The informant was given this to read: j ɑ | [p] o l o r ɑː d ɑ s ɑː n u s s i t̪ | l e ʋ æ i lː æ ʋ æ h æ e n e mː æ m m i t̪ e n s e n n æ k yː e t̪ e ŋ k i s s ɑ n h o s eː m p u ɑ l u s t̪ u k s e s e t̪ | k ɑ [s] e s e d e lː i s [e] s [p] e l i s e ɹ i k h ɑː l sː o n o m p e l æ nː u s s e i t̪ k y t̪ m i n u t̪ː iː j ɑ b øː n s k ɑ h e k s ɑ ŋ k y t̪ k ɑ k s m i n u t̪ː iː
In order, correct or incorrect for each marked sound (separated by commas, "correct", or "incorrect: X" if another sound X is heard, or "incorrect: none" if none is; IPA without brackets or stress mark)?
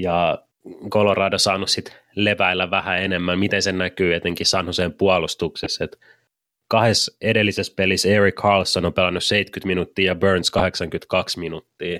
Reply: incorrect: k, incorrect: h, correct, correct